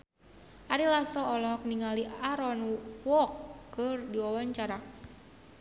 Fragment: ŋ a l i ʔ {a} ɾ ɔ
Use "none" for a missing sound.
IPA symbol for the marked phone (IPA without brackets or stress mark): a